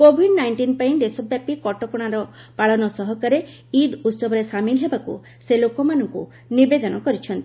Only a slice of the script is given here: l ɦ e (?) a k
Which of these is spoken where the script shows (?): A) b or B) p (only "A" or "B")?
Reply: A